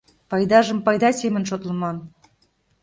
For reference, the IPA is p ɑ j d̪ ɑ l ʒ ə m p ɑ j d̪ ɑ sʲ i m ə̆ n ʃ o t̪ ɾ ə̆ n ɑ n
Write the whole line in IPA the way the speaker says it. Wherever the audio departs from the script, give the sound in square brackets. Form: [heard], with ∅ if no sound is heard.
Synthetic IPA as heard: p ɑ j d̪ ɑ [∅] ʒ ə m p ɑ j d̪ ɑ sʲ [e] m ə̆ n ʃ o t̪ [l] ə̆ [m] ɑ n